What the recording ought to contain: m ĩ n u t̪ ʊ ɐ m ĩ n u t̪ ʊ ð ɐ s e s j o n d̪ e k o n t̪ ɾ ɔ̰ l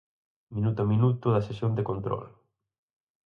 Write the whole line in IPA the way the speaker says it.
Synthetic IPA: m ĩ n u t̪ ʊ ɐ m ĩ n u t̪ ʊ ð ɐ s e s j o n d̪ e k o n t̪ ɾ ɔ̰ l

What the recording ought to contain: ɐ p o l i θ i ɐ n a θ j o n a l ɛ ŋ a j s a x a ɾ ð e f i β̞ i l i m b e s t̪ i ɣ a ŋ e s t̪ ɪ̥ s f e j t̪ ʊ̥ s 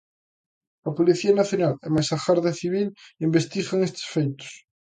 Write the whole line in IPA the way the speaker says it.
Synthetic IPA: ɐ p o l i θ i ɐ n a θ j o n a l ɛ m a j s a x a ɾ ð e θ i β̞ i l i m b e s t̪ i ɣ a ŋ e s t̪ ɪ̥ s f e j t̪ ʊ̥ s

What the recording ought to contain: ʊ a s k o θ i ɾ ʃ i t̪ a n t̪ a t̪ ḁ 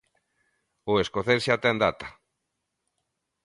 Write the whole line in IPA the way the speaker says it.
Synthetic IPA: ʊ e s k o θ e ɾ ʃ a t̪ ɛ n d̪ a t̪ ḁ

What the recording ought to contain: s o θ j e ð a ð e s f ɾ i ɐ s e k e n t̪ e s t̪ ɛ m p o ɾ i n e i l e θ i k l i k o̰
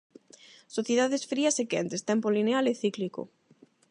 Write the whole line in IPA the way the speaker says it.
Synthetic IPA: s o θ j e ð a ð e s f ɾ i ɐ s e k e n t̪ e s t̪ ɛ m p o l i n e a l e θ i k l i k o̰

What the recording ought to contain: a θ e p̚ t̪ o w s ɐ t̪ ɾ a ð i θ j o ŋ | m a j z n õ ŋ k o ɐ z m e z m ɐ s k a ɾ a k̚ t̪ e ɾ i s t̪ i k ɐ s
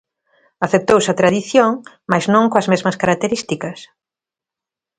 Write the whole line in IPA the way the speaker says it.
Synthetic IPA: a θ e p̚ t̪ o w s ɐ t̪ ɾ a ð i θ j o ŋ | m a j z n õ ŋ k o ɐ z m e z m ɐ s k a ɾ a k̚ t̪ e ɾ i s t̪ i k ɐ s

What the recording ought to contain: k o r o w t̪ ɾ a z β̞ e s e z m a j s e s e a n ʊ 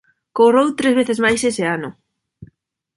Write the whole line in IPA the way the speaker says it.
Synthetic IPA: k o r o w t̪ ɾ e z β̞ e θ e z m a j s e s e a n ʊ

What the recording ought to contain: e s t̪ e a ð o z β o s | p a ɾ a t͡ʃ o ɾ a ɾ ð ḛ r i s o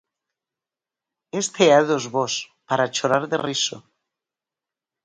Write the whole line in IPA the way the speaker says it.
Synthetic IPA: e s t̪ e a ð o z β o s | p a ɾ a t͡ʃ o ɾ a ɾ ð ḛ r i s o

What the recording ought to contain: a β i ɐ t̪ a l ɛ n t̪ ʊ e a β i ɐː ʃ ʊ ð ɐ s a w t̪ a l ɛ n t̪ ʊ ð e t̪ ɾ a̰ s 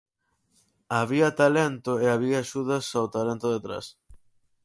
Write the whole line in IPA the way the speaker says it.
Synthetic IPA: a β i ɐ t̪ a l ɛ n t̪ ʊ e a β i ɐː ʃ u ð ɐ s a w t̪ a l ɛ n t̪ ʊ ð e t̪ ɾ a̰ s

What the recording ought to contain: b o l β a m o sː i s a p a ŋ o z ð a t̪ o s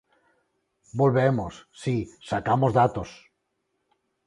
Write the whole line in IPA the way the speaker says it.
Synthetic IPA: b o l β e m o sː i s a k a m o z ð a t̪ o s

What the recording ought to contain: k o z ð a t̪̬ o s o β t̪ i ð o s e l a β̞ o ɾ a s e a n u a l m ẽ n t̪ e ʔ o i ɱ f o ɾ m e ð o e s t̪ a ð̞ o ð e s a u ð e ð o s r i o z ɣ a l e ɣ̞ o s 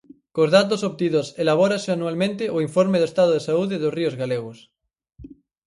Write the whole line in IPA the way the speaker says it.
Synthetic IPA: k o z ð a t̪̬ o s o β t̪ i ð o s e l a β̞ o ɾ a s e a n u a l m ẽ n t̪ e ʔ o i ɱ f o ɾ m e ð o e s t̪ a ð̞ o ð e s a u ð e ð o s r i o z ɣ a l e ɣ̞ o s

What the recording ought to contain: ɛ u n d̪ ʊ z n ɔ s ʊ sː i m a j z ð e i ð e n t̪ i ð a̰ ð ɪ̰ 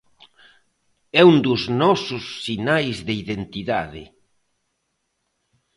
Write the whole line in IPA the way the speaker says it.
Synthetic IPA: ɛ u n d̪ ʊ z n ɔ s ʊ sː i n a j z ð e i ð e n t̪ i ð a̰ ð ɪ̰

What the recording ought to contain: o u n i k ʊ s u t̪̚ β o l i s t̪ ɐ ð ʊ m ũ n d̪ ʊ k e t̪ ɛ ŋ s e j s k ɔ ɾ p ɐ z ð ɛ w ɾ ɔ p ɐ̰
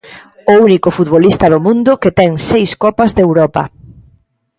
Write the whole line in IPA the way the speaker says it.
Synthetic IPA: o u n i k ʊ f u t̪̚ β o l i s t̪ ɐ ð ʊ m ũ n d̪ ʊ k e t̪ ɛ ŋ s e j s k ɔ p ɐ z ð e w ɾ ɔ p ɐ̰

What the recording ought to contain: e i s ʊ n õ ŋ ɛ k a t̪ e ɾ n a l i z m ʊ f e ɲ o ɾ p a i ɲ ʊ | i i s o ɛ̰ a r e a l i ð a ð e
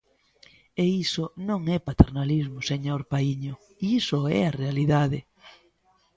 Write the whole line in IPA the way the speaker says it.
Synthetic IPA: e i s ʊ n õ ŋ ɛ p a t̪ e ɾ n a l i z m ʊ s e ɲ o ɾ p a i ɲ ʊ | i i s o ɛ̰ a r e a l i ð a ð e

